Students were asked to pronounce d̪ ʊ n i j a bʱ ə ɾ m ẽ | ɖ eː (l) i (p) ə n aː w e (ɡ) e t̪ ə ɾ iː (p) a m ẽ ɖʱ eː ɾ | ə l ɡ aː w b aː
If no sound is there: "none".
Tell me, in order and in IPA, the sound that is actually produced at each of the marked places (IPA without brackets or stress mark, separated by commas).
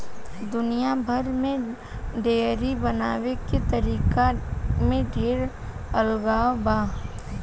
ɾ, b, k, k